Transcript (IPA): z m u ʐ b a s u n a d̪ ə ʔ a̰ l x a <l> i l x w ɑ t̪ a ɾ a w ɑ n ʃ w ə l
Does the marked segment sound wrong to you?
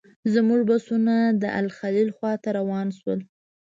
no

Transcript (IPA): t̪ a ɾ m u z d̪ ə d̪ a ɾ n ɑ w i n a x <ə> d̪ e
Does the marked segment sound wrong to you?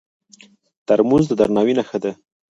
no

